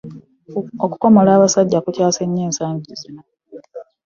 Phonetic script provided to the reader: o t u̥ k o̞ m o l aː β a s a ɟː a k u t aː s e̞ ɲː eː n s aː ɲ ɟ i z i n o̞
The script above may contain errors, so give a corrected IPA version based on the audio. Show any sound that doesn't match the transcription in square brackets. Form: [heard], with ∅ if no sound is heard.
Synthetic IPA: o [k] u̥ k o̞ m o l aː β a s a ɟː a k u [c] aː s e̞ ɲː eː n s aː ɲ ɟ i z i n o̞